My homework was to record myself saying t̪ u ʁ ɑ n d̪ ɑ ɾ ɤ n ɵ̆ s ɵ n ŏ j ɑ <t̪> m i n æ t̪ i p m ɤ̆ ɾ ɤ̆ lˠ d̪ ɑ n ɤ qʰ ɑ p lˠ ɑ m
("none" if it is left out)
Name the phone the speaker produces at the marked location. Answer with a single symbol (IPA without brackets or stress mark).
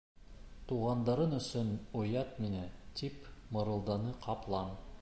t̪